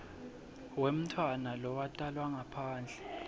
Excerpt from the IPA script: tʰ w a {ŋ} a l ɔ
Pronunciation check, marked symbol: incorrect: n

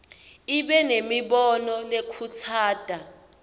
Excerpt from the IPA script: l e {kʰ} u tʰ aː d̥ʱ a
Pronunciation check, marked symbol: correct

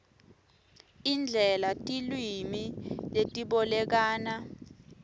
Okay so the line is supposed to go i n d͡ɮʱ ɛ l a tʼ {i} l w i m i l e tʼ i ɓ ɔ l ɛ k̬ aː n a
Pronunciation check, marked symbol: correct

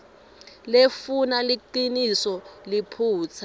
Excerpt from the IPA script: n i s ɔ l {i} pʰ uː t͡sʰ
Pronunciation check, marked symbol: correct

